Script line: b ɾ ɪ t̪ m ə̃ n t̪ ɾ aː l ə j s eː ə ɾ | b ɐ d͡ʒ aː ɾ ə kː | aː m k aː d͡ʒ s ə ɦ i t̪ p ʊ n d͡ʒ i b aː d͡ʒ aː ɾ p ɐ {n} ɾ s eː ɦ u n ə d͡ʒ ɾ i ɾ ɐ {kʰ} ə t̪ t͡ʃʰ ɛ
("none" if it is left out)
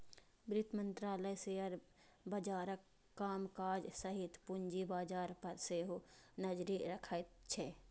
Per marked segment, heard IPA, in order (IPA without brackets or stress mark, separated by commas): none, kʰ